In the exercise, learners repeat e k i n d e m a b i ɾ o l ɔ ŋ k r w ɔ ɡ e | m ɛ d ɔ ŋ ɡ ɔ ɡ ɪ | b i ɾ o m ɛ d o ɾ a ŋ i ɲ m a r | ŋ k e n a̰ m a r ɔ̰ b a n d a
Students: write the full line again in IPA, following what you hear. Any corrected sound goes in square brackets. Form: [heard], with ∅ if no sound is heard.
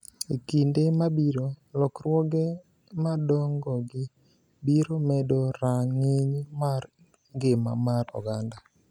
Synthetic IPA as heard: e k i n d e m a b i ɾ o l ɔ [∅] k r w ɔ ɡ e | m [a] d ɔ ŋ ɡ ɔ ɡ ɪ | b i ɾ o m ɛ d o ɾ a ŋ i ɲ m a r | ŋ [ɡ] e [m] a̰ m a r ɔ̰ [ɡ] a n d a